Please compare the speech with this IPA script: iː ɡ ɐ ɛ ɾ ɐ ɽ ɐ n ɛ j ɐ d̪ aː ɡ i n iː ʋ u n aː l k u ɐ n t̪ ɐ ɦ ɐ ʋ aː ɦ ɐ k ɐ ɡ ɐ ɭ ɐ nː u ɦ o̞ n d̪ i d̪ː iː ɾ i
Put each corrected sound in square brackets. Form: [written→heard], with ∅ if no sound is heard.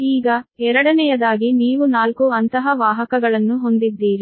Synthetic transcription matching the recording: iː ɡ ɐ ɛ ɾ ɐ ɽ ɐ n ɛ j ɐ d̪ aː ɡ i n iː ʋ u n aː l k u ɐ n t̪ ɐ ɦ ɐ ʋ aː ɦ ɐ k ɐ ɡ ɐ ɭ ɐ nː u ɦ o̞ n d̪ i d̪ː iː ɾ i